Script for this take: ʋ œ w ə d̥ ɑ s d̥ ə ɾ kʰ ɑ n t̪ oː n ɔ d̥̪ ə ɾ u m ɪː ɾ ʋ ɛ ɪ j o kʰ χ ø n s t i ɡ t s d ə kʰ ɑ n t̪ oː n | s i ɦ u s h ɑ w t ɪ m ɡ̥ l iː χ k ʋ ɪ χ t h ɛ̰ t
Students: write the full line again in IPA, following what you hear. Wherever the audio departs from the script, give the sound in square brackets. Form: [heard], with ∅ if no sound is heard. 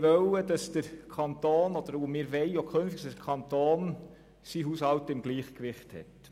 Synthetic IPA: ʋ œ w ə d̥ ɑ s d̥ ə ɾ kʰ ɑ n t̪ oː n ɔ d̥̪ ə ɾ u m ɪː ɾ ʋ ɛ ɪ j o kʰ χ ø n [f] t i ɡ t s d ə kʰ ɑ n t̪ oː n | s i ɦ u s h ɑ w t ɪ m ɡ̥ l iː χ k ʋ ɪ χ t h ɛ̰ t